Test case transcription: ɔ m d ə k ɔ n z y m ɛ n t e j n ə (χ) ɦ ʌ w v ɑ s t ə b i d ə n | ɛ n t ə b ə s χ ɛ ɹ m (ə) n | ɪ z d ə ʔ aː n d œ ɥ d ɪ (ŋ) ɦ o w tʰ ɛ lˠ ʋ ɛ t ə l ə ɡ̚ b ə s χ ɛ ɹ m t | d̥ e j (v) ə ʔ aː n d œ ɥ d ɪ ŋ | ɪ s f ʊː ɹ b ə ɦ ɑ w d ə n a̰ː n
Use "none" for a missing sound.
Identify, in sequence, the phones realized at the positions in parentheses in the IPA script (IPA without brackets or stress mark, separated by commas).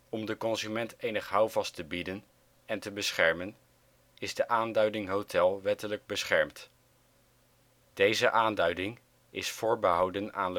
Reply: χ, ə, ŋ, z